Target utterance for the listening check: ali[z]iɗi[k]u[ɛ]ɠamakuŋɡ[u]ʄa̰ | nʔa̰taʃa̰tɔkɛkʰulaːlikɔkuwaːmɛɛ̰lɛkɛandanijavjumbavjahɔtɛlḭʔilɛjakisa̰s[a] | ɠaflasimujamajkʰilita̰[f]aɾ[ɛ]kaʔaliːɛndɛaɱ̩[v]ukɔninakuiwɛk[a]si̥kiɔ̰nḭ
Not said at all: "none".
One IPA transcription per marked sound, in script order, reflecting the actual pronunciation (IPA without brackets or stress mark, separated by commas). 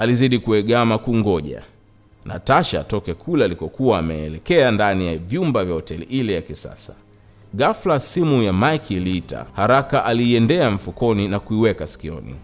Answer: z, k, ɛ, ɔ, a, h, a, f, a